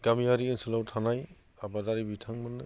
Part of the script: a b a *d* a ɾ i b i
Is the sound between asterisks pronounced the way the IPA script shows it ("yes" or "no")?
yes